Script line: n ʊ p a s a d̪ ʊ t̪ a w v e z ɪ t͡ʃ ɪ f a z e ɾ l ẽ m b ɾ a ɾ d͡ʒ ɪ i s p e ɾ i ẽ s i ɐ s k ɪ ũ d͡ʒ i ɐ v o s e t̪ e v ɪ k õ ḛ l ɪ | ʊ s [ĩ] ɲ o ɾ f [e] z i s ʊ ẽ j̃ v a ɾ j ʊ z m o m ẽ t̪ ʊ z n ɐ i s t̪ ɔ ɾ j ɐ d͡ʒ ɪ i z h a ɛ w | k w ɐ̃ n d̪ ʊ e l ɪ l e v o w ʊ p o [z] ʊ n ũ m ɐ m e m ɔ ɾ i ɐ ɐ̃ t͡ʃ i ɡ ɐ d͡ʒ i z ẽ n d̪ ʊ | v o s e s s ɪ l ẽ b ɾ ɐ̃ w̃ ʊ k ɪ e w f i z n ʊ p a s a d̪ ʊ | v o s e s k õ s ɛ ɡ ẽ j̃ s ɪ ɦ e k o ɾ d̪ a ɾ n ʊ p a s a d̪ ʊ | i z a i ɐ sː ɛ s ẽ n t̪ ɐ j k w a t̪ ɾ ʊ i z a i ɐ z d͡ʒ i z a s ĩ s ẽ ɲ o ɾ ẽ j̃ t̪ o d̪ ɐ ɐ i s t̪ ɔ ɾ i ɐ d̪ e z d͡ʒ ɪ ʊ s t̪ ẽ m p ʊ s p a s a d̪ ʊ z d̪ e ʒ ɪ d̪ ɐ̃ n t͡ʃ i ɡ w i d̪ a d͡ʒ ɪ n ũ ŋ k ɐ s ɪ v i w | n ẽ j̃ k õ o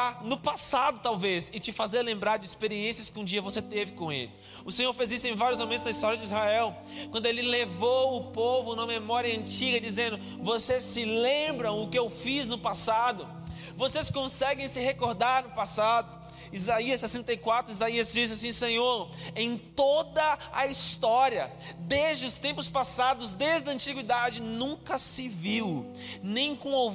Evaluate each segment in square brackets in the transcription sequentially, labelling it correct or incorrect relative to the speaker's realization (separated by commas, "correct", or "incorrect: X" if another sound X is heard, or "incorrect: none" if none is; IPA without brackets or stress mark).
incorrect: ẽ, correct, incorrect: v